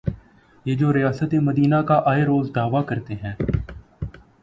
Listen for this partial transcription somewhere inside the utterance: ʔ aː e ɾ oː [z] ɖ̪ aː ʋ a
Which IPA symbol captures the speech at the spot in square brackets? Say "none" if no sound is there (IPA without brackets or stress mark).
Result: z